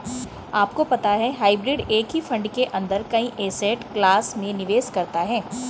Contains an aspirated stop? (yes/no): no